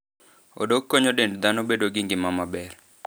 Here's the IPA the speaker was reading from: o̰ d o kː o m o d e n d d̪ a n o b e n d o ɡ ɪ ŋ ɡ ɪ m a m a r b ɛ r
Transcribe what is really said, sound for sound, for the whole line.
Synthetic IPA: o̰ d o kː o ɲ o d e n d d̪ a n o b e d o ɡ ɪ ŋ ɡ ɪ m a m a b ɛ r